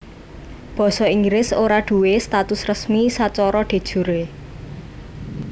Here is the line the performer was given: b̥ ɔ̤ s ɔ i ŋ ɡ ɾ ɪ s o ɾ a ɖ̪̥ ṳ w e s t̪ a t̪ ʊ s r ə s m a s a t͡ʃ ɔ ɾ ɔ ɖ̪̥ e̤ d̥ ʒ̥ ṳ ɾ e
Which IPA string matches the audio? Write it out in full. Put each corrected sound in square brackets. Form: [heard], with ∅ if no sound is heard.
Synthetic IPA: b̥ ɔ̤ s ɔ i ŋ ɡ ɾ ɪ s o ɾ a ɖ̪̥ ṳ w e s t̪ a t̪ ʊ s r ə s m [i] s a t͡ʃ ɔ ɾ ɔ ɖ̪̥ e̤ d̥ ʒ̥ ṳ ɾ e